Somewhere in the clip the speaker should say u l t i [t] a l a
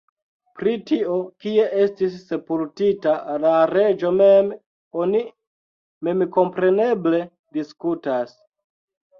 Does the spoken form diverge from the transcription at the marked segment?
no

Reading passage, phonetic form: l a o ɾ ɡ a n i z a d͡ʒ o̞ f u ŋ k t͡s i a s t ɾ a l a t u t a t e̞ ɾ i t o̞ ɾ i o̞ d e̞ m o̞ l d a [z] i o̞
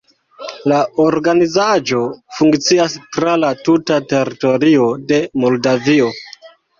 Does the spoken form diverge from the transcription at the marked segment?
yes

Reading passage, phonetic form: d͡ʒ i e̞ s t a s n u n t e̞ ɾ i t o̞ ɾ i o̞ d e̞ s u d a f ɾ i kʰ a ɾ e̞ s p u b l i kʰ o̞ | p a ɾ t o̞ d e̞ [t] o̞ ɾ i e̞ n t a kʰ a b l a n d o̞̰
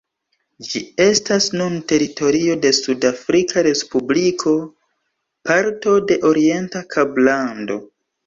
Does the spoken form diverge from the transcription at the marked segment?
yes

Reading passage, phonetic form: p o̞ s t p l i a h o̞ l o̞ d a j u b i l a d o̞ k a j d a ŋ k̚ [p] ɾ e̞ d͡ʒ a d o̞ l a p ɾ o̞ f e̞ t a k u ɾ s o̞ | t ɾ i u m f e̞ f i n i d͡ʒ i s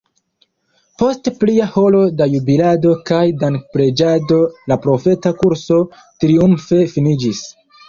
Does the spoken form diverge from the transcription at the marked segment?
no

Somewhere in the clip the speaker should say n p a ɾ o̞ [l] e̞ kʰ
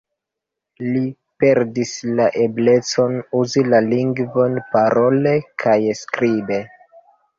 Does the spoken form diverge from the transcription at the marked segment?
no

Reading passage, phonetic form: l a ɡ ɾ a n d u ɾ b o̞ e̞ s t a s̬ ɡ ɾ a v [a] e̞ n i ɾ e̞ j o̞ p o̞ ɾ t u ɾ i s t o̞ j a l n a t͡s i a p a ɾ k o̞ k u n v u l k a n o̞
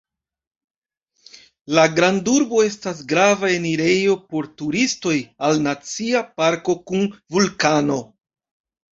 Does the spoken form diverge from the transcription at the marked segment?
no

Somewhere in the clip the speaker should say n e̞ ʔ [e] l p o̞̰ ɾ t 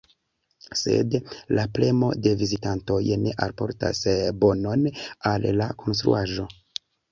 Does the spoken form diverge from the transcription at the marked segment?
yes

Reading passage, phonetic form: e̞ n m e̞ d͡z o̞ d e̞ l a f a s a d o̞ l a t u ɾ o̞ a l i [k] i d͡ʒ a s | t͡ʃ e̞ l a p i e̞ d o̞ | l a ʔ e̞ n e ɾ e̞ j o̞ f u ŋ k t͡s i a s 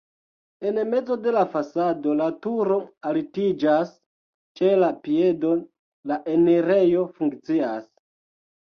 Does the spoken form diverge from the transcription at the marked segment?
yes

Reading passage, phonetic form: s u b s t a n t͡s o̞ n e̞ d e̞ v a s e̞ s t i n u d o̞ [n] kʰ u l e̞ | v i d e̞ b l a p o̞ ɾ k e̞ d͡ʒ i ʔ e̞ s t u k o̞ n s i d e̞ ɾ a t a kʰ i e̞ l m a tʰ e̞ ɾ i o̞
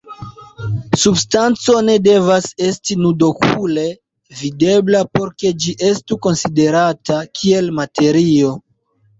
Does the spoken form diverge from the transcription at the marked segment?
yes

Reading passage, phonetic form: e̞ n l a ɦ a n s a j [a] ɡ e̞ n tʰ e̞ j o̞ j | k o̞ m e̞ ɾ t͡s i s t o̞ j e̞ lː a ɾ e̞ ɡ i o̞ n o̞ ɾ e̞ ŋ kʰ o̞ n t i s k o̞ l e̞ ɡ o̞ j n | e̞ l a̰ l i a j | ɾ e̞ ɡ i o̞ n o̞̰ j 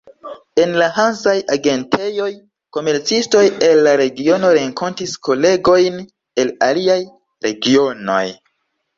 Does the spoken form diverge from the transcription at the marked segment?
no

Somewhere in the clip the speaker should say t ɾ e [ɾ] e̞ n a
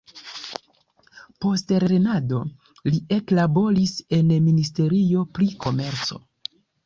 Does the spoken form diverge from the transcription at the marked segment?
no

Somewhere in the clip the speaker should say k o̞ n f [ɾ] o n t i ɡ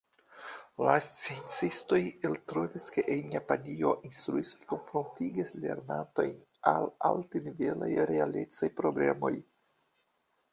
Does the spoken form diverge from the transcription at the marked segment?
no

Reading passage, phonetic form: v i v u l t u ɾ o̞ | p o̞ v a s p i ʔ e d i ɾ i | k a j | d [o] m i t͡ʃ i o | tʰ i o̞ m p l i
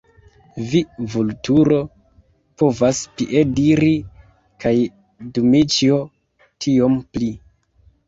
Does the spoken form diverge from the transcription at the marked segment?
yes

